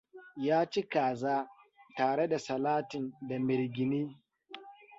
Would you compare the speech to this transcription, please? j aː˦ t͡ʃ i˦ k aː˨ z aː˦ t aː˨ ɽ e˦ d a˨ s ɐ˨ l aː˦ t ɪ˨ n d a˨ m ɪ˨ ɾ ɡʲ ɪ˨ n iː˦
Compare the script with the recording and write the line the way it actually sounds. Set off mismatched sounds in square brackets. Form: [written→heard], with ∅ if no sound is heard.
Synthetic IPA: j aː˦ t͡ʃ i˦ k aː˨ z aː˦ t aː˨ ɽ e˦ d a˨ s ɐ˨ l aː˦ t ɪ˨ n d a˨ m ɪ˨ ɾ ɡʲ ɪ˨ n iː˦

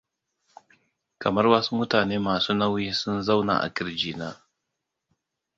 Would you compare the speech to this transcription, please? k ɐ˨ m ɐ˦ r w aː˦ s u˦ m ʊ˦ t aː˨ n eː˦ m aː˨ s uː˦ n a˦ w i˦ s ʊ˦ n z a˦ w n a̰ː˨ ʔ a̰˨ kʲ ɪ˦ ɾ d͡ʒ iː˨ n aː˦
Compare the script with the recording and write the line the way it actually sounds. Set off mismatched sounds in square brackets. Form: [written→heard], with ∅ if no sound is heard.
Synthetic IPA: k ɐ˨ m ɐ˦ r w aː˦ s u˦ m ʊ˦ t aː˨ n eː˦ m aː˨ s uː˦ n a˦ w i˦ s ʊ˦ n z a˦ w n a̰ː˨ ʔ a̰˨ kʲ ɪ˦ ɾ d͡ʒ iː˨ n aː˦

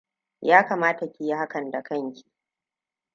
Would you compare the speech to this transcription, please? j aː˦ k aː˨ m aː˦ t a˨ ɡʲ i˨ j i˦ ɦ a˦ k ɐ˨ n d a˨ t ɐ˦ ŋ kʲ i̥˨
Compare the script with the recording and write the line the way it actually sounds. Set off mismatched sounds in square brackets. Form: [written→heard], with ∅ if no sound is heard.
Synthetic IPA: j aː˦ k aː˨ m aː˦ t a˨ [ɡʲ→kʲ] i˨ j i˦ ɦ a˦ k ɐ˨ n d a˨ [t→k] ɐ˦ ŋ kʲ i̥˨

